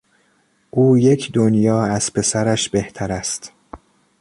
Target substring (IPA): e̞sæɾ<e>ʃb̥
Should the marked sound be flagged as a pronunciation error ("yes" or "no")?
yes